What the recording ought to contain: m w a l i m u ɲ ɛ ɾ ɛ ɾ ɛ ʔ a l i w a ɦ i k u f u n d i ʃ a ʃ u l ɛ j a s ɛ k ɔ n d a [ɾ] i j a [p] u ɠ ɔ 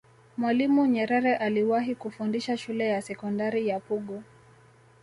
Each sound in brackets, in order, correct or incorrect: correct, correct

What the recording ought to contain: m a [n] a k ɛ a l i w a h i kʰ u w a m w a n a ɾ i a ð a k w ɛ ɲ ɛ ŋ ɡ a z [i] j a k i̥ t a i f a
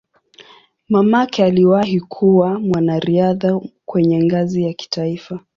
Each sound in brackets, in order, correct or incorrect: incorrect, correct

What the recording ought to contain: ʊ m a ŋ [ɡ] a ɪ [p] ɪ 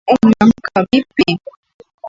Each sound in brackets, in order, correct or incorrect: incorrect, correct

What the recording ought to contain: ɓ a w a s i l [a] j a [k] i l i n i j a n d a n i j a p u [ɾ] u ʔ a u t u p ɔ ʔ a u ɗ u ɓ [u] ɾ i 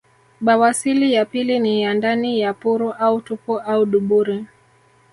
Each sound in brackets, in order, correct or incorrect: incorrect, incorrect, correct, correct

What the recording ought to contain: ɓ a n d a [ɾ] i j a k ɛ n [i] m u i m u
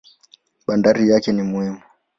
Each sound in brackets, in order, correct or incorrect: correct, correct

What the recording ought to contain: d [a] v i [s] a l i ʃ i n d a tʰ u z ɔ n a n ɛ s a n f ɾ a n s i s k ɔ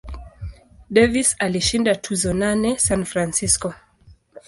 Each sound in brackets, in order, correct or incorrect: incorrect, correct

